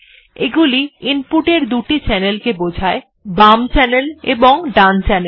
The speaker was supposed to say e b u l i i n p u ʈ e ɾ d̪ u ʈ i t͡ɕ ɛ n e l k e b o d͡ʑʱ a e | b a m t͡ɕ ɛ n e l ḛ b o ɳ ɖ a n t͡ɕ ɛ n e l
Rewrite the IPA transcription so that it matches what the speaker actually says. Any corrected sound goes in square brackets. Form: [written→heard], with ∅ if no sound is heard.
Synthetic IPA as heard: e [b→ɡ] u l i i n p u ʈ e ɾ d̪ u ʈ i t͡ɕ ɛ n e l k e b o d͡ʑʱ a e | b a m t͡ɕ ɛ n e l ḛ b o [ɳ→ŋ] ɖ a n t͡ɕ ɛ n e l